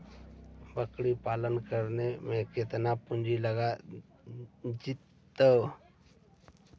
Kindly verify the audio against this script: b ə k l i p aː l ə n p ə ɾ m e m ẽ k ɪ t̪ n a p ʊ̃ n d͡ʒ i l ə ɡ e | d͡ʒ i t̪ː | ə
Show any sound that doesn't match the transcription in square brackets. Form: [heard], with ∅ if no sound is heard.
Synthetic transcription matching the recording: b ə k [ɽ] i p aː l ə n [k] ə ɾ [n] e m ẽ k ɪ t̪ n a p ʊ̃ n d͡ʒ i l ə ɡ [a] | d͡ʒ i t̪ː | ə